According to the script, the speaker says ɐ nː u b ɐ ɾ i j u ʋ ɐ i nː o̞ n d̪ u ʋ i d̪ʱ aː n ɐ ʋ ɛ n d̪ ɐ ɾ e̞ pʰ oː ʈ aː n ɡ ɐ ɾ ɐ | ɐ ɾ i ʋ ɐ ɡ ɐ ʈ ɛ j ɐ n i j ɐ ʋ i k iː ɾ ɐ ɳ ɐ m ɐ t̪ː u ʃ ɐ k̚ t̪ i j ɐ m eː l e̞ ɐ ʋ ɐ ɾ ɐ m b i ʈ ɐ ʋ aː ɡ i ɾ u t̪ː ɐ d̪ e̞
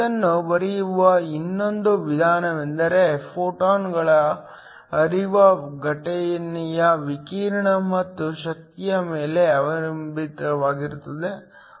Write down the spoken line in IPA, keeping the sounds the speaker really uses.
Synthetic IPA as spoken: ɐ nː u b ɐ ɾ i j u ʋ ɐ i nː o̞ n d̪ u ʋ i d̪ʱ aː n ɐ ʋ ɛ n d̪ ɐ ɾ e̞ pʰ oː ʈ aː n ɡ ɐ ɭ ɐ | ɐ ɾ i ʋ ɐ ɡ ɐ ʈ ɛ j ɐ n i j ɐ ʋ i k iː ɾ ɐ ɳ ɐ m ɐ t̪ː u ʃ ɐ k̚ t̪ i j ɐ m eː l e̞ ɐ ʋ ɐ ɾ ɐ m b i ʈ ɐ ʋ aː ɡ i ɾ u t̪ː ɐ d̪ e̞